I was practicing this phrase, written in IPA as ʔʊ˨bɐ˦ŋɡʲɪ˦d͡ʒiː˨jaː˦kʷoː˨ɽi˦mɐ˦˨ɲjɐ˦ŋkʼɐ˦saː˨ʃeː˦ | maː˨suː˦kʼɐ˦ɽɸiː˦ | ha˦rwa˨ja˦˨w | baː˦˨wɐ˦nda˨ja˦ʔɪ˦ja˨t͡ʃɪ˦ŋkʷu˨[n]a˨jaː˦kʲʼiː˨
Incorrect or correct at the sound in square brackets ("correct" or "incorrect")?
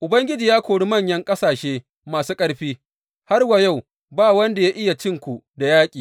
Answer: incorrect